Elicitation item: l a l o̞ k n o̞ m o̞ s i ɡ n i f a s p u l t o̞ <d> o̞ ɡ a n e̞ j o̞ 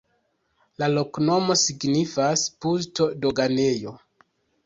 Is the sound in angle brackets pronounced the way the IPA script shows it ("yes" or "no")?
yes